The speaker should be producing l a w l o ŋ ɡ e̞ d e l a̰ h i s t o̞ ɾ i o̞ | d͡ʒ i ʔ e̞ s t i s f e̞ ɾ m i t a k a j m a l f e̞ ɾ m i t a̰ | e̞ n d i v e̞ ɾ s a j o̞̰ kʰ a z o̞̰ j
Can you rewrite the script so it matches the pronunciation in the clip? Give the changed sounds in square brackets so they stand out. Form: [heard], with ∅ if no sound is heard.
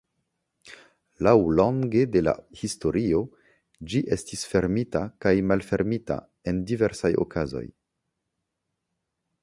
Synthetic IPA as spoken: l a w l o ŋ ɡ e̞ d e l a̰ h i s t o̞ ɾ i o̞ | d͡ʒ i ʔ e̞ s t i s f e̞ ɾ m i t a k a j m a l f e̞ ɾ m i t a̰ | e̞ n d i v e̞ ɾ s a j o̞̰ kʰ a z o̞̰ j